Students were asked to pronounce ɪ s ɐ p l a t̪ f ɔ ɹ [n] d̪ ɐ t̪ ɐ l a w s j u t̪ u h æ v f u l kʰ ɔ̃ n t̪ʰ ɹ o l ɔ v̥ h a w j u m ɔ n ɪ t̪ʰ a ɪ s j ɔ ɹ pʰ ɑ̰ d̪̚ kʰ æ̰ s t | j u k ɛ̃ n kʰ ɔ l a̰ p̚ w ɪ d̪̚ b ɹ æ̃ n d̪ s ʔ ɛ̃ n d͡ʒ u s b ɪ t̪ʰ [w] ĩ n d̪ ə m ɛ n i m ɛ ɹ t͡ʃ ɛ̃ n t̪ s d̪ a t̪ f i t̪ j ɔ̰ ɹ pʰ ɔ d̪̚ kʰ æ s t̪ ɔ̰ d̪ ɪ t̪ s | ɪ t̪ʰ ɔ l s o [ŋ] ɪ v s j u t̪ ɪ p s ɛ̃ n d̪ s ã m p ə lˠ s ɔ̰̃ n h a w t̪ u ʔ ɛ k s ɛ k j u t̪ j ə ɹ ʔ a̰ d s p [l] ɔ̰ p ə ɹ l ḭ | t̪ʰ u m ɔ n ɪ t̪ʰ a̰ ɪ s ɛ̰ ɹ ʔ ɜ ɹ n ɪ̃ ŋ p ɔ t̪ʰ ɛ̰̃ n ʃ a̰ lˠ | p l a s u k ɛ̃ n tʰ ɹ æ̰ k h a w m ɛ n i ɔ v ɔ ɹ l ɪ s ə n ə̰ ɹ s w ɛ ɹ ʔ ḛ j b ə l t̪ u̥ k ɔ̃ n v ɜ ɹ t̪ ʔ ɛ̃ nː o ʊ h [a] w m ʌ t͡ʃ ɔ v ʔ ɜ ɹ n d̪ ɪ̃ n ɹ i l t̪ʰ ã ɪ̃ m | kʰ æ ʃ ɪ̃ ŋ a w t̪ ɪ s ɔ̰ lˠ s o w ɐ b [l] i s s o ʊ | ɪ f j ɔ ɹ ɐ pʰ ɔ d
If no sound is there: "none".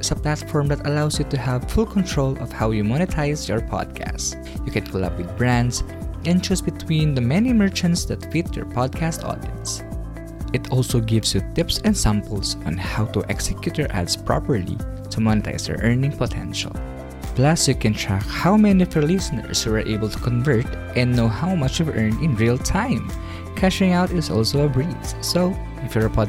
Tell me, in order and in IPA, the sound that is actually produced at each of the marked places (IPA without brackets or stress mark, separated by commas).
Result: m, w, ɡ, ɹ, a, ɹ